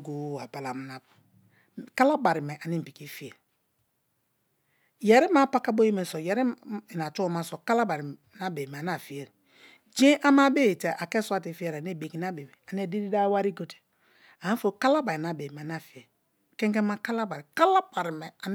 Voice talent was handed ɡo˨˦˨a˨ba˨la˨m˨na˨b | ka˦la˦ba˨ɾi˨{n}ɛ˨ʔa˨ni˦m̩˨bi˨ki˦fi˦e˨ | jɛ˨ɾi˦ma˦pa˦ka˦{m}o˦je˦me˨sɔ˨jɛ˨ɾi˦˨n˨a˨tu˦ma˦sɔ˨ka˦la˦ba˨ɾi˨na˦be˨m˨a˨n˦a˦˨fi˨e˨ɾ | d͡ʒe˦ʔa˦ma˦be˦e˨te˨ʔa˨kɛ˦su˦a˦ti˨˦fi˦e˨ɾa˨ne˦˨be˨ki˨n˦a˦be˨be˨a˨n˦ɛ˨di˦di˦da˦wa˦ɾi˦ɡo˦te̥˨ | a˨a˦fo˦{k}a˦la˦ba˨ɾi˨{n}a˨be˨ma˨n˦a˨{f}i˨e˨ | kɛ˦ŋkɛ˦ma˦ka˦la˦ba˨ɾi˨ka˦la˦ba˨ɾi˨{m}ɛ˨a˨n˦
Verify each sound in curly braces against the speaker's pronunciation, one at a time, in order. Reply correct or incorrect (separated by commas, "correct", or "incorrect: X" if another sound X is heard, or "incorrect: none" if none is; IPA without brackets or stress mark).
incorrect: m, incorrect: b, correct, correct, correct, correct